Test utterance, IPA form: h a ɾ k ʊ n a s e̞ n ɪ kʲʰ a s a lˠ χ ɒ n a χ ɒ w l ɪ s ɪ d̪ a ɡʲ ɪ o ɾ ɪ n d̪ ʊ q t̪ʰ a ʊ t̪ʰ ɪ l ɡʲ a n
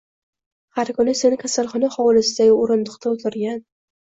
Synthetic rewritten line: h a ɾ k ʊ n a s e̞ n ɪ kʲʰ a s a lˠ χ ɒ n a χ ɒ w l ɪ s ɪ d̪ a ɡʲ ɪ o ɾ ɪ n d̪ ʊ q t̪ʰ a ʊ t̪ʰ ɪ ɾ ɡʲ a n